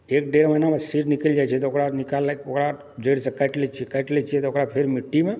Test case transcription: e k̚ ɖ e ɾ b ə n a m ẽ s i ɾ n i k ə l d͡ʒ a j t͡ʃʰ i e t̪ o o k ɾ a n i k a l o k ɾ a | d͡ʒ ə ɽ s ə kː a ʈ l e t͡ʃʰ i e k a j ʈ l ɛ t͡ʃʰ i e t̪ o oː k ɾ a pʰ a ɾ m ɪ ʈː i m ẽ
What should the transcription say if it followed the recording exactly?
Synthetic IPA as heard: e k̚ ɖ e ɾ m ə n a m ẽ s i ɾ n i k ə l d͡ʒ a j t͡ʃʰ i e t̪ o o k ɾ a n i k a l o k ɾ a | d͡ʒ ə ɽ s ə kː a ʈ l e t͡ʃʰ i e k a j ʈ l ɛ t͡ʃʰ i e t̪ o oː k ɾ a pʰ e ɾ m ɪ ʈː i m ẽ